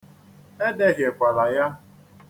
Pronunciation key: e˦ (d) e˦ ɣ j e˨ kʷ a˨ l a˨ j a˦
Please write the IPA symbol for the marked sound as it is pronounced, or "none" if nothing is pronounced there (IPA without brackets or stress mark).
d